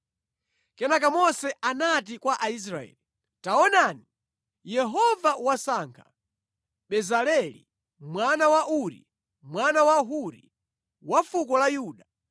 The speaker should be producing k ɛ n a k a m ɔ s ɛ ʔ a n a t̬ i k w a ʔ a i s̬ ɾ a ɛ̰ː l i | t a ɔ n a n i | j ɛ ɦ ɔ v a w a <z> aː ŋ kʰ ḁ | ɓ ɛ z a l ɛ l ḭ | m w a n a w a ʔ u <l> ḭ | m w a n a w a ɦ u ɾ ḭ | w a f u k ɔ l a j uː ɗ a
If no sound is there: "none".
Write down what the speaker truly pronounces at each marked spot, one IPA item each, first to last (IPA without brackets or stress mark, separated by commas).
s, ɾ